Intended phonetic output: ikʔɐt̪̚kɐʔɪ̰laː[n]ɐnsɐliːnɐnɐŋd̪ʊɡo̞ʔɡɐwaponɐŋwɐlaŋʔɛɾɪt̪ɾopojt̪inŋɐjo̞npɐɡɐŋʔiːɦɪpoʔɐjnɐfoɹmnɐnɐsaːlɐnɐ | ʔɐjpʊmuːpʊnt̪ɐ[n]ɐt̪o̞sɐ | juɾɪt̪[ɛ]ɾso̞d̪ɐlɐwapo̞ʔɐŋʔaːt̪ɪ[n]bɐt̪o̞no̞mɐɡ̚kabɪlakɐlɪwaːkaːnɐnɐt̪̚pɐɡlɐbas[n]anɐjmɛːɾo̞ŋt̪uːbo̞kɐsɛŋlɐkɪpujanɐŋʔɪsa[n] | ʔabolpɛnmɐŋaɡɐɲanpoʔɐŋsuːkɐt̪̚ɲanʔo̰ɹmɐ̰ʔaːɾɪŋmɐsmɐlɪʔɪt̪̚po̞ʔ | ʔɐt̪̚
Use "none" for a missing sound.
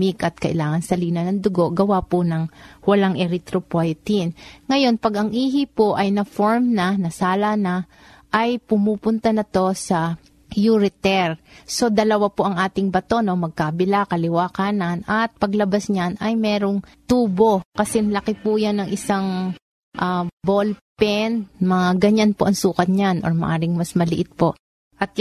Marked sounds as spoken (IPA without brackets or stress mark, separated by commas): ŋ, n, ɛ, ŋ, ɲ, ŋ